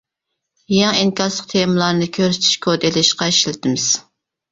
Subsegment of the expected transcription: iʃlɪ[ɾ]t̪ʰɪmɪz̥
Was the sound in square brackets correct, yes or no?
no